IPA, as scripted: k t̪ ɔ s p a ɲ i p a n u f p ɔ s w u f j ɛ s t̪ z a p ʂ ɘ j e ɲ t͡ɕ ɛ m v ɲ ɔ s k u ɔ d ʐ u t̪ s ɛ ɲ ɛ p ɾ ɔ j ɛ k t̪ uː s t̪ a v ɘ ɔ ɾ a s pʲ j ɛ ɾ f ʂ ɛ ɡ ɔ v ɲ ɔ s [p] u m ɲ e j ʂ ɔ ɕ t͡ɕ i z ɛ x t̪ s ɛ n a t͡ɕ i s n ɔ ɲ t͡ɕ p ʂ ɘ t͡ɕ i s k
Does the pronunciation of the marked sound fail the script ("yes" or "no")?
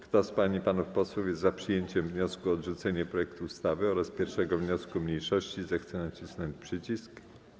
yes